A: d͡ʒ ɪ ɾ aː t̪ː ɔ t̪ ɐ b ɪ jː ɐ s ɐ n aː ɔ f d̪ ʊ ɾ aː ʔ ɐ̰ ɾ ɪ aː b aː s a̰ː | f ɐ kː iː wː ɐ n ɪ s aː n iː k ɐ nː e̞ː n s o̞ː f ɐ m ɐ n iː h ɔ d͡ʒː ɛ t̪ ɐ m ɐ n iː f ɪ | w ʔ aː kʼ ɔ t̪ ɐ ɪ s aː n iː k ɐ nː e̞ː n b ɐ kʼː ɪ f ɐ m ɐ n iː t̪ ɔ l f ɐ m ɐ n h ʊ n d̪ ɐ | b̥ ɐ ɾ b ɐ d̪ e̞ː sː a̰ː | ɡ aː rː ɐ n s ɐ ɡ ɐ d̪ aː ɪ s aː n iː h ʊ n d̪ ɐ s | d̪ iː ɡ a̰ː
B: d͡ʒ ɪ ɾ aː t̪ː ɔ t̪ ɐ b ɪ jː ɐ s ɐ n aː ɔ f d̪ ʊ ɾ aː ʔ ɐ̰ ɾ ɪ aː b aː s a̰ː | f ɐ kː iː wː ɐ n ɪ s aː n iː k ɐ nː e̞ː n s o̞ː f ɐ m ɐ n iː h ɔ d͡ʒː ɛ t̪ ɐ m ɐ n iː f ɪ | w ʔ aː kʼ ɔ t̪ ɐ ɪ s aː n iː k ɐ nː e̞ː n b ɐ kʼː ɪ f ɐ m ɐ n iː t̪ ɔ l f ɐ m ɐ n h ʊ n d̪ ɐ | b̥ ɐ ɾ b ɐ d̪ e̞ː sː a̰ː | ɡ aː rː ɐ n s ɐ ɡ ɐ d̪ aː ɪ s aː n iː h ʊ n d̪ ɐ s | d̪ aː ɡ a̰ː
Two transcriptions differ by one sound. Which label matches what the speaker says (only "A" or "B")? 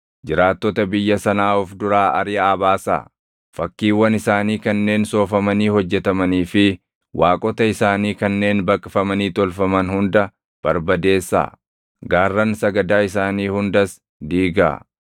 A